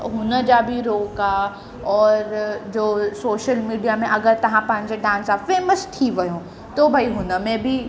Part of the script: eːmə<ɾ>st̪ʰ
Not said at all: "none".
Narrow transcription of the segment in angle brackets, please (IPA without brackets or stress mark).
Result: none